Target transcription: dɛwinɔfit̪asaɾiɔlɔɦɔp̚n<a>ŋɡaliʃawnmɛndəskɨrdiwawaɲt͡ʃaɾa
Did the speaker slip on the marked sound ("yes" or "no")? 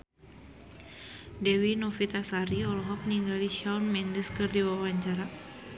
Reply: yes